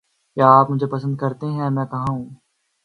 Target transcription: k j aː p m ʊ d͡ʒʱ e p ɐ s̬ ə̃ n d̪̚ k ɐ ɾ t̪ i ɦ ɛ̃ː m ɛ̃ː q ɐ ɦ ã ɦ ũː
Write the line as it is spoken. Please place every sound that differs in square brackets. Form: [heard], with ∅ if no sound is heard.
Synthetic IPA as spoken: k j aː p m ʊ d͡ʒʱ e p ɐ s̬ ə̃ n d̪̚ k ɐ ɾ t̪ [e] ɦ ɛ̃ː m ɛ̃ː [k] ɐ ɦ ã ɦ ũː